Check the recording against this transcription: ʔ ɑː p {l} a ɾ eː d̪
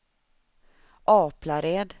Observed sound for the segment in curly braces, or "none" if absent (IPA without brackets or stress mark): l